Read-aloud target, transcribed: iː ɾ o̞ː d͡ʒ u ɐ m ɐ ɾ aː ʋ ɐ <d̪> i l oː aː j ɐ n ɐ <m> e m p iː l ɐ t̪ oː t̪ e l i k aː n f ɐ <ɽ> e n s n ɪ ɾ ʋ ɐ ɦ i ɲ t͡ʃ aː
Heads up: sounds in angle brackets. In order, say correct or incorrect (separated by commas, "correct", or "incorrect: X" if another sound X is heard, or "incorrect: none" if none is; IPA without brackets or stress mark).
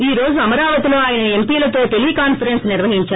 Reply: incorrect: t̪, incorrect: none, incorrect: ɾ